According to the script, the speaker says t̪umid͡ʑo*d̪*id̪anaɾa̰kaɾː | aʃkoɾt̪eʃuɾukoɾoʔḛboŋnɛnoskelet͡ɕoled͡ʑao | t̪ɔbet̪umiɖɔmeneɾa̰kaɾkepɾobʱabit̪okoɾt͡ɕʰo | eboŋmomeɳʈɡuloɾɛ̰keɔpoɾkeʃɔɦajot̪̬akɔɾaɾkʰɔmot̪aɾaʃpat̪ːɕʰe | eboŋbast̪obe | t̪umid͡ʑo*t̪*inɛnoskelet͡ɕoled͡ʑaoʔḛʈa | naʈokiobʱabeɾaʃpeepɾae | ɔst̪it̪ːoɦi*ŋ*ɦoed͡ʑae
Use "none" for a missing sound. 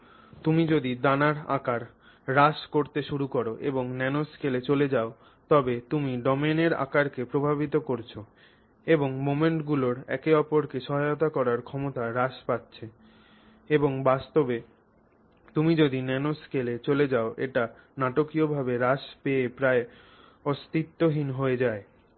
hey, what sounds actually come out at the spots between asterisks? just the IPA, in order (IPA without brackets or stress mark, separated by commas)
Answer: d̪, d̪, n